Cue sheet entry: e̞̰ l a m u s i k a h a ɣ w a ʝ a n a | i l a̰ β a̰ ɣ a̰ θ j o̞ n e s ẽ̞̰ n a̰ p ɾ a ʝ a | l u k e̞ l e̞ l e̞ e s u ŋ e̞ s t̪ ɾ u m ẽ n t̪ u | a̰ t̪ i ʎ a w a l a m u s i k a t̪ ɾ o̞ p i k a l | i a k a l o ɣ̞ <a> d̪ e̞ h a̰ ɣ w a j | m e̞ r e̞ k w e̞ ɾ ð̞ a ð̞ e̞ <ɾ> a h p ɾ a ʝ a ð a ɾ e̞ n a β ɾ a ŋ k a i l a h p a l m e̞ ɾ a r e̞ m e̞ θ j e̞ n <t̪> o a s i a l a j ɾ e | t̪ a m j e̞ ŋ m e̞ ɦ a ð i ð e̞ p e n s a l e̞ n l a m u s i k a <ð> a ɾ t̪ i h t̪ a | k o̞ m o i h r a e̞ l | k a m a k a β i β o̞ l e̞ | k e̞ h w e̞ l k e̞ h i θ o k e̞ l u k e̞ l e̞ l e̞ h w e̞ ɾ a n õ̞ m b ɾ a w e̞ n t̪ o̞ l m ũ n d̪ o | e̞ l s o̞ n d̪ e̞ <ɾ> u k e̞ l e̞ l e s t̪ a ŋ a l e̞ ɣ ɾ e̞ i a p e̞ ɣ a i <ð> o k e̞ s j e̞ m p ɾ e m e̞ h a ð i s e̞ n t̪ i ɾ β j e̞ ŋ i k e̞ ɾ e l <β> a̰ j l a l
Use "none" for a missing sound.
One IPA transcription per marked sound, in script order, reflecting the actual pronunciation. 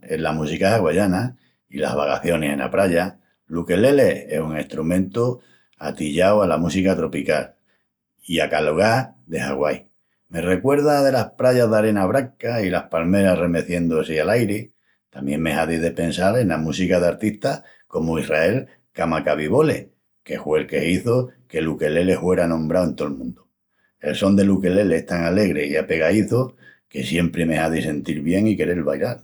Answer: a, l, d̪, ð, l, θ, β

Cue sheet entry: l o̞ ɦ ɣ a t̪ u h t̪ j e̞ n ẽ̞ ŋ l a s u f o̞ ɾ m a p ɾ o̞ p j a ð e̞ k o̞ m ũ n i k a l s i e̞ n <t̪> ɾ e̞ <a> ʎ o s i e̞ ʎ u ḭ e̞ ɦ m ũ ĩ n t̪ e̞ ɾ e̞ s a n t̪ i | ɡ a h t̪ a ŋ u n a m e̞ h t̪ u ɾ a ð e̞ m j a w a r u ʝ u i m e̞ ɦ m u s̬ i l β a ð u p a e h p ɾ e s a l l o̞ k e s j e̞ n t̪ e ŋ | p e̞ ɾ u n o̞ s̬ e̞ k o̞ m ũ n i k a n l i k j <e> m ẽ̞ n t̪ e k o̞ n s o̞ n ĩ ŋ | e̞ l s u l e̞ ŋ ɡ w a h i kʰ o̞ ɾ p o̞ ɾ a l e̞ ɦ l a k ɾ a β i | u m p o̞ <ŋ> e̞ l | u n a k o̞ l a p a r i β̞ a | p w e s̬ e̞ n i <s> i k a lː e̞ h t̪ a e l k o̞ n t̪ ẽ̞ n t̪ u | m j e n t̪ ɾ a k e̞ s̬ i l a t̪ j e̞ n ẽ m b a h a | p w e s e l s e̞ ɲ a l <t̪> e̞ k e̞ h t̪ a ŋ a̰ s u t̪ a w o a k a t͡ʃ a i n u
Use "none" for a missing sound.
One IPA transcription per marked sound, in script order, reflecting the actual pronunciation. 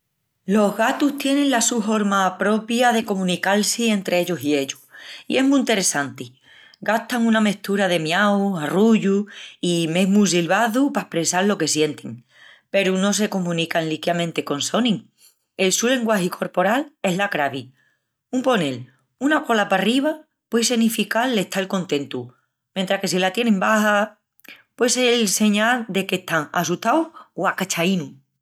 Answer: t̪, e, a, n, f, d̪

